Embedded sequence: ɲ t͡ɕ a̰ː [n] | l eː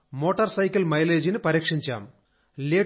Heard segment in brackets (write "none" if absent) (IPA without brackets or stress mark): m